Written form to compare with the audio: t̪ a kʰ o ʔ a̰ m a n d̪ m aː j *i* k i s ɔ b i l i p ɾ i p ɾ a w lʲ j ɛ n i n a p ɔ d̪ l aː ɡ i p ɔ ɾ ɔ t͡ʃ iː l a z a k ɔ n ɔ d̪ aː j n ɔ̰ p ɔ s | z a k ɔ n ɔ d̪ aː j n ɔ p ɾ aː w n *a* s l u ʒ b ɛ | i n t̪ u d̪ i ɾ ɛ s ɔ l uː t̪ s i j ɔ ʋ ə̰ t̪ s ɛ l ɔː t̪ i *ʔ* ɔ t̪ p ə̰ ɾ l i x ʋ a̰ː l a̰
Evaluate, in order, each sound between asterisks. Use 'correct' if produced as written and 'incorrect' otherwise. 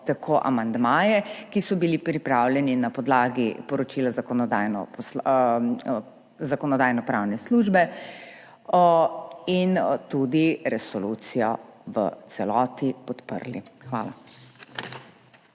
incorrect, incorrect, incorrect

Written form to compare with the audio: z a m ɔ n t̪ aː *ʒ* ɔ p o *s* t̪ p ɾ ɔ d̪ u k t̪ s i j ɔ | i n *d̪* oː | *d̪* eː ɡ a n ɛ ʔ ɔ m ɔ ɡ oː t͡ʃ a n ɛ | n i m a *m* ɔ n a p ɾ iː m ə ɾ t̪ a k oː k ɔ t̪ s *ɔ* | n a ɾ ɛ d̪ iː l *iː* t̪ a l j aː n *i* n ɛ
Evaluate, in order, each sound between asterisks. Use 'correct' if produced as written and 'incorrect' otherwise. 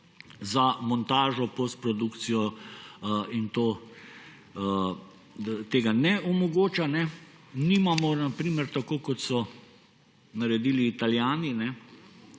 correct, correct, incorrect, incorrect, correct, correct, correct, correct

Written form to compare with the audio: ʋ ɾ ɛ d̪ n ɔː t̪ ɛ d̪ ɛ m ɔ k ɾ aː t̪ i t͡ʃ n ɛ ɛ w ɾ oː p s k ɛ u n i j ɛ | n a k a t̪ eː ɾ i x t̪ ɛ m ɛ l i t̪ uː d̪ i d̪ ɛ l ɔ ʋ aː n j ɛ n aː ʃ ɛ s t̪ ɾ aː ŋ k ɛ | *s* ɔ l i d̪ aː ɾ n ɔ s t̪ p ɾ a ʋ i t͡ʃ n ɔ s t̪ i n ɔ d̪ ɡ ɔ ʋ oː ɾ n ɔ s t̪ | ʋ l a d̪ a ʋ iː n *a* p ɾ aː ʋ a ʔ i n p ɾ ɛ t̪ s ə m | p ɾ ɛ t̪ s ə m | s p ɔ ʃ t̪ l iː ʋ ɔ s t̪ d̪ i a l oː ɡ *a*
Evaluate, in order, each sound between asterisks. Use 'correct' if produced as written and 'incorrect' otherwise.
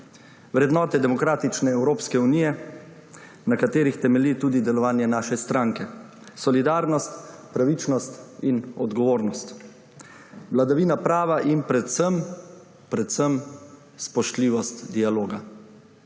correct, correct, correct

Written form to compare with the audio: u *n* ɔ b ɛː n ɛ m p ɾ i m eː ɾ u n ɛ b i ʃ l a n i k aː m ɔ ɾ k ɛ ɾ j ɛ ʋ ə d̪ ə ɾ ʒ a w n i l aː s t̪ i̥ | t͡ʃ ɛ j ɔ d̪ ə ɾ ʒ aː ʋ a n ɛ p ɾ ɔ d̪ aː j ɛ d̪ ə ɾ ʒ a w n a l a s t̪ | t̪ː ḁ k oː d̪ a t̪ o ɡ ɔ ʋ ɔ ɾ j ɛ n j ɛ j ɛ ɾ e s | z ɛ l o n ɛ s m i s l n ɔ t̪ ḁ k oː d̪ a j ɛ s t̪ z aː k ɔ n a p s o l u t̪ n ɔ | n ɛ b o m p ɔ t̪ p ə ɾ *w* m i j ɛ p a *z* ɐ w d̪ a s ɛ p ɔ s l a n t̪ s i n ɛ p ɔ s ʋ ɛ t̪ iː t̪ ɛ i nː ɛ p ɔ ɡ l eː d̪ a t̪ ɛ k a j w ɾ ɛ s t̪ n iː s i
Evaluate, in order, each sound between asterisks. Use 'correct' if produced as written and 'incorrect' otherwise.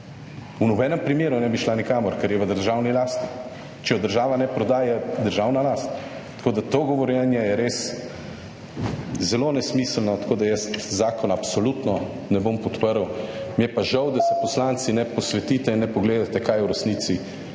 correct, correct, incorrect

